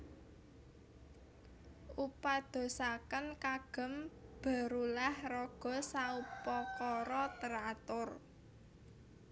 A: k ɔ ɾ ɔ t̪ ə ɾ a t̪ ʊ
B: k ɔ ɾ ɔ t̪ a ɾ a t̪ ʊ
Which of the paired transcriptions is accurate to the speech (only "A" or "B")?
A